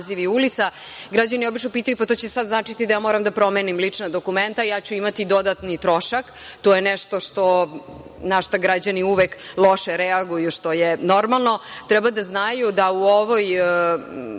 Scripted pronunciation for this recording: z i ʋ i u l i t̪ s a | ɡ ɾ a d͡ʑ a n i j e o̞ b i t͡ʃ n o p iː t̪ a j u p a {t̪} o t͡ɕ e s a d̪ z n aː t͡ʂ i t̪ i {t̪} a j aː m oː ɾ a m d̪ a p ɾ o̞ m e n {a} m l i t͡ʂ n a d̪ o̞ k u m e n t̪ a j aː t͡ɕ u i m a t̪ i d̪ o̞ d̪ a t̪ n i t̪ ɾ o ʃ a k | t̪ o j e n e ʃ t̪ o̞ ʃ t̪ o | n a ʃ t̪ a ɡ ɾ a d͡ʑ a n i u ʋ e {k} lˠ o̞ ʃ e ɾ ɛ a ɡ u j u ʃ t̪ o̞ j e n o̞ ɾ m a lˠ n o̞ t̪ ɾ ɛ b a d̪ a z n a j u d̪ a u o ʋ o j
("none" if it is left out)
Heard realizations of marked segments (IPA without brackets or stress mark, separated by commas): t̪, d̪, i, k